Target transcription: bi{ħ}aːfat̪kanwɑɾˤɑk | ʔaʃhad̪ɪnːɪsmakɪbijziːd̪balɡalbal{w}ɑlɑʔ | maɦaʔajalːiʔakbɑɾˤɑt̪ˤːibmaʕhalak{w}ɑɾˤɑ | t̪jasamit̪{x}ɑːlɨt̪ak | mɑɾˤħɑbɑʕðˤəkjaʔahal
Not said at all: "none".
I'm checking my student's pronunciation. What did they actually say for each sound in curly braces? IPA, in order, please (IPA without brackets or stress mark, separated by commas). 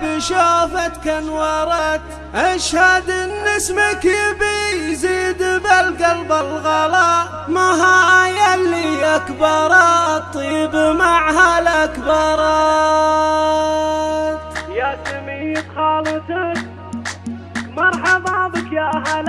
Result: ʃ, ɣ, b, x